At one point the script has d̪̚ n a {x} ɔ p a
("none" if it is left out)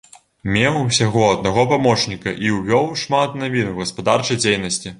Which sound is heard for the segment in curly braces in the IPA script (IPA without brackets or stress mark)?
ɣ